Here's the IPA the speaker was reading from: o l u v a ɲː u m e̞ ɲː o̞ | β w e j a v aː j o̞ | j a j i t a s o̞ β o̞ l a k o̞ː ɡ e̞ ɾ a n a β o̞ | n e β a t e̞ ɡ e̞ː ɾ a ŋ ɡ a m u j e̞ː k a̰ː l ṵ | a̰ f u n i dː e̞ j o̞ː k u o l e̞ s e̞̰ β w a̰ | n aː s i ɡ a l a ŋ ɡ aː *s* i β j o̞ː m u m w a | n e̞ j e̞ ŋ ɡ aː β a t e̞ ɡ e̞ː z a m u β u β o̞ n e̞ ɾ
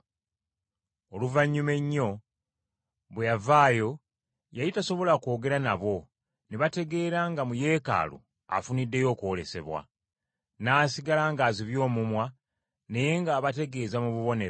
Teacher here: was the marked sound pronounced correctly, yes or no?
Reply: no